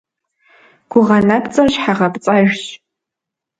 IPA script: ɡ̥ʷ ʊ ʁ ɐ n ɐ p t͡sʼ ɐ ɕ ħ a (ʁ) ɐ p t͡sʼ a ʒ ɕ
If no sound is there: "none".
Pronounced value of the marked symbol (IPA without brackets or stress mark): ʁ